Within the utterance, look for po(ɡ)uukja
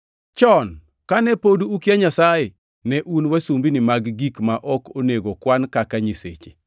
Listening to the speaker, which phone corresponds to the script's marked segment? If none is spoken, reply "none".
d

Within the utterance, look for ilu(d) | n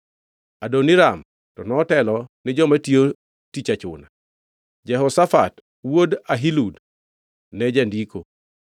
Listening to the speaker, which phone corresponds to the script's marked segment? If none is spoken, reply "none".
d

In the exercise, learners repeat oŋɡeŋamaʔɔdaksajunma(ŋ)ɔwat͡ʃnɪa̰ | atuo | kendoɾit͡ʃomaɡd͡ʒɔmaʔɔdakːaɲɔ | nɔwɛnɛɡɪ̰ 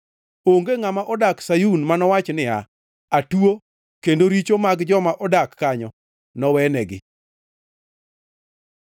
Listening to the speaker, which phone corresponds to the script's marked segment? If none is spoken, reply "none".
n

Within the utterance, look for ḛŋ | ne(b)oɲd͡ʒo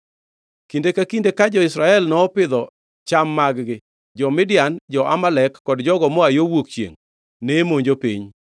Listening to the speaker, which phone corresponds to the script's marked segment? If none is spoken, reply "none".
m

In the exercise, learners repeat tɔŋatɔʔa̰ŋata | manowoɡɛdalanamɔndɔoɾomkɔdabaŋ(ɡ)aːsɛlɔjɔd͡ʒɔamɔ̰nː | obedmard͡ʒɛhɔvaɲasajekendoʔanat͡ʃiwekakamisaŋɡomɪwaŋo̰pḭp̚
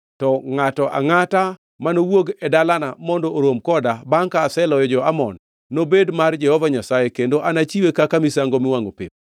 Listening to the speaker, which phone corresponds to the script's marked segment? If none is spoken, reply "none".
k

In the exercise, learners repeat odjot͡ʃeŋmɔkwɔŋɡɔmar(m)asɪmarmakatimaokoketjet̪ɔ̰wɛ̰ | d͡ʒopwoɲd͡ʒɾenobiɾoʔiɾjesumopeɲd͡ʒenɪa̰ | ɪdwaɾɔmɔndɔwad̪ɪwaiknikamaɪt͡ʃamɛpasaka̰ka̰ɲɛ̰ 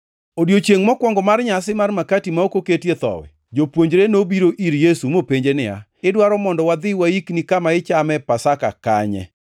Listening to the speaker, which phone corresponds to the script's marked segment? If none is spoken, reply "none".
ɲ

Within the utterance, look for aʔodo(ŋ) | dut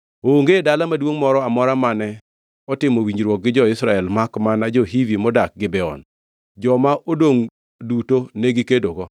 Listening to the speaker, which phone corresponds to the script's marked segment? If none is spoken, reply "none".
ŋ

